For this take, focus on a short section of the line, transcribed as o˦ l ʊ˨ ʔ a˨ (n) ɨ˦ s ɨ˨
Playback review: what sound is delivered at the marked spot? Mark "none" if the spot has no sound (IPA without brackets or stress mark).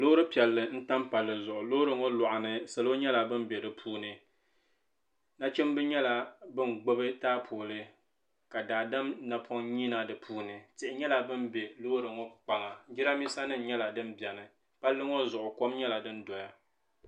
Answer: n